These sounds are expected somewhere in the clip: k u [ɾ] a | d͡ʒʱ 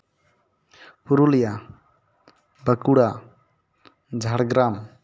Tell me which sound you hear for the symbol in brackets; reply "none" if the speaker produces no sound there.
ɽ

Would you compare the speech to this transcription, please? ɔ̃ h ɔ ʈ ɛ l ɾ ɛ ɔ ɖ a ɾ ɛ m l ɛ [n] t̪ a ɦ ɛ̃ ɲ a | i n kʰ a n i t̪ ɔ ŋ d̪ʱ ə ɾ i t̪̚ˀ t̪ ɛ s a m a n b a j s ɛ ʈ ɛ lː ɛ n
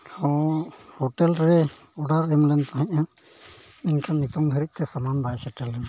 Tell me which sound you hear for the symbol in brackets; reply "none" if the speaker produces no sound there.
n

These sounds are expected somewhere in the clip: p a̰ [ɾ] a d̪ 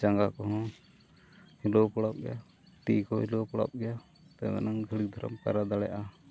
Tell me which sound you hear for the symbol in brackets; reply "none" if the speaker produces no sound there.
ɾ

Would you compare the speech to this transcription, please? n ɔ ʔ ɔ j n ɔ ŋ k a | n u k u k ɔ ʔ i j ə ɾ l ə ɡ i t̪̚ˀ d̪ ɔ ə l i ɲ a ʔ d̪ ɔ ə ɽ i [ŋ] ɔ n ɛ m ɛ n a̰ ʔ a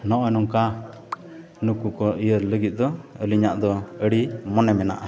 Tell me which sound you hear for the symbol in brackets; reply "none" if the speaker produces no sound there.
m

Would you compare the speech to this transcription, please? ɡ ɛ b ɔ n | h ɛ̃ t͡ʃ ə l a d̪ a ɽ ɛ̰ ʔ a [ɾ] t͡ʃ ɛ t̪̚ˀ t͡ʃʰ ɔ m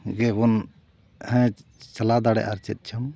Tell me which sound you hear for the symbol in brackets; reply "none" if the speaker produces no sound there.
ɾ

